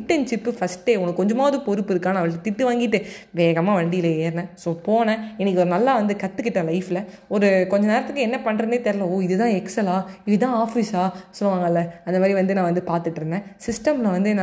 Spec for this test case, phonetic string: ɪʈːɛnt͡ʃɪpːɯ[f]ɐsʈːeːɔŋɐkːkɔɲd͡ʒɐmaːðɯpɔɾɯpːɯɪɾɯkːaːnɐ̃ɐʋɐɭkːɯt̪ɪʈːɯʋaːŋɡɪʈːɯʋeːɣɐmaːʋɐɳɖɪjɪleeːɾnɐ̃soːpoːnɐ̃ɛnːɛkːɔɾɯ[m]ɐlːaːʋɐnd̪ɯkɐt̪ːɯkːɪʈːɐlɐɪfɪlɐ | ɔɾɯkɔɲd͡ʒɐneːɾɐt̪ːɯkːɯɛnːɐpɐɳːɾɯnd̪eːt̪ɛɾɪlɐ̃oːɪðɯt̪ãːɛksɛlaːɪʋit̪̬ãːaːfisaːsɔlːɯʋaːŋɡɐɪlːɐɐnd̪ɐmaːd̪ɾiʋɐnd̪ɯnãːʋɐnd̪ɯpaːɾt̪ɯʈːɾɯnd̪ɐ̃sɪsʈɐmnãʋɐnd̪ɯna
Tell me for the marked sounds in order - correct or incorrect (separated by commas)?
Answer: correct, incorrect